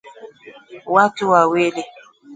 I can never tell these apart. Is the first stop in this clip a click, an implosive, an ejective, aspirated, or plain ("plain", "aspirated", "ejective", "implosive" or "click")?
plain